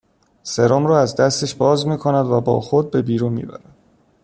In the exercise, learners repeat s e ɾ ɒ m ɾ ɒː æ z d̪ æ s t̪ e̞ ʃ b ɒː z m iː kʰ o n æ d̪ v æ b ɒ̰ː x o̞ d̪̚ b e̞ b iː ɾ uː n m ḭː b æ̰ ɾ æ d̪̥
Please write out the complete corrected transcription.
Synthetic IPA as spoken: s e ɾ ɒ m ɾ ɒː æ z d̪ æ s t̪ e̞ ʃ b ɒː z m iː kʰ o n æ d̪ v æ b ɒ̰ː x o̞ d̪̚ b e̞ b iː ɾ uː n m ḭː b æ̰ ɾ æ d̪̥